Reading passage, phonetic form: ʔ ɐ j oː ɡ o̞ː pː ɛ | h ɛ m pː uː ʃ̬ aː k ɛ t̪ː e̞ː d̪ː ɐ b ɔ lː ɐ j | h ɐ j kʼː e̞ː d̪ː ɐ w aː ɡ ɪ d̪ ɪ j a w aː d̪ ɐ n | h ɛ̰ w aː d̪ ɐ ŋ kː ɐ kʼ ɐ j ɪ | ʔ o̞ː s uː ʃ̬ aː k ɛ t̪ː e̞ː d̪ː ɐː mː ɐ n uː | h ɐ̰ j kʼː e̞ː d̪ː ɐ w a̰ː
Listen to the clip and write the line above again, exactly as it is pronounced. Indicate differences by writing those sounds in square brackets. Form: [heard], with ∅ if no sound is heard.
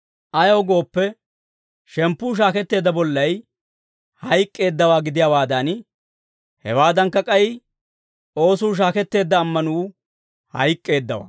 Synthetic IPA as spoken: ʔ ɐ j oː ɡ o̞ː pː ɛ | [ʃ] ɛ m pː uː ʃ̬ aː k ɛ t̪ː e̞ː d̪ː ɐ b ɔ lː ɐ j | h ɐ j kʼː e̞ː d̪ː ɐ w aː ɡ ɪ d̪ ɪ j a w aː d̪ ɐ n | h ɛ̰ w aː d̪ ɐ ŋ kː ɐ kʼ ɐ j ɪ | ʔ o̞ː s uː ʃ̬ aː k ɛ t̪ː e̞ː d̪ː ɐː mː ɐ n uː | h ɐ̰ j kʼː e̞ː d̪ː ɐ w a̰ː